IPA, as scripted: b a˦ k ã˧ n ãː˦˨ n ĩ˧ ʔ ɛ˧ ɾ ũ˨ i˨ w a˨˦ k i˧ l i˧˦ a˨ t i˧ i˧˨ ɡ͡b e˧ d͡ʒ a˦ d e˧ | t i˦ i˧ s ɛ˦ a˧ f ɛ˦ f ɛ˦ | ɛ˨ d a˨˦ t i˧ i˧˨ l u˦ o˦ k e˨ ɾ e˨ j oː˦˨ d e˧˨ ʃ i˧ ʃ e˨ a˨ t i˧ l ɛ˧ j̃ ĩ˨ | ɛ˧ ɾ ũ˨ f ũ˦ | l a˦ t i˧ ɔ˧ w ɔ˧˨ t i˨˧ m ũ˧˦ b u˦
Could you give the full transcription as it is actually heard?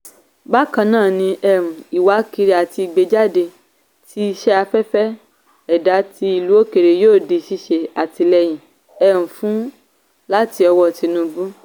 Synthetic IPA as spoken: b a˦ k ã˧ n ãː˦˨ n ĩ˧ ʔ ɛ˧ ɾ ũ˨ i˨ w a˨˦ k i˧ ɾ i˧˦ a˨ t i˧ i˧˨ ɡ͡b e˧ d͡ʒ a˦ d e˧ | t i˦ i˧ ʃ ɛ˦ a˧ f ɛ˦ f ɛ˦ | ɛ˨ d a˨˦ t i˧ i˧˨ l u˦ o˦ k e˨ ɾ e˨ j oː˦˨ d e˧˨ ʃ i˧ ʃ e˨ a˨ t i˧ l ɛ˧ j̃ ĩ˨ | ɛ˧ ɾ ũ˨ f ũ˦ | l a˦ t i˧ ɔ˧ w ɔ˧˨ t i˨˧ n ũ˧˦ b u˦